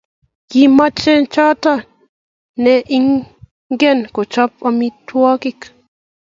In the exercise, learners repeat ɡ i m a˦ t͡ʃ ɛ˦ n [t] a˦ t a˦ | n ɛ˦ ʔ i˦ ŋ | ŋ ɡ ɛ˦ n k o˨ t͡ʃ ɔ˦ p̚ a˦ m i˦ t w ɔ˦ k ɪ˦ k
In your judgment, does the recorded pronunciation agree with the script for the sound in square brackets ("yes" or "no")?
no